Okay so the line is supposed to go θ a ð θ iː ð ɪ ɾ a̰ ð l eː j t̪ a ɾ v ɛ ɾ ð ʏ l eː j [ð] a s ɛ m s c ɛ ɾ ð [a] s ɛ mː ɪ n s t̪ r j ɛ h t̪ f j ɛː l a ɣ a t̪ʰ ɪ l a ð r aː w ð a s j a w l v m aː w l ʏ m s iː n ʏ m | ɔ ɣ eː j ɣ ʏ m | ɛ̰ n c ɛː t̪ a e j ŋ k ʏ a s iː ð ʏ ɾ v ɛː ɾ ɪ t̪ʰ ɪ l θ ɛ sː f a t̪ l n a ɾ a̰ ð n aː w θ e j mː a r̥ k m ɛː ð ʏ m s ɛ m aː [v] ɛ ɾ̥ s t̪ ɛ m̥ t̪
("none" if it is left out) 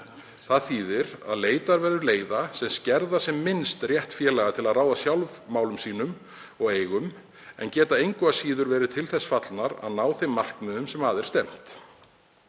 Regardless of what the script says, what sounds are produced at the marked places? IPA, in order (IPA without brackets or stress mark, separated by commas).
ð, a, ð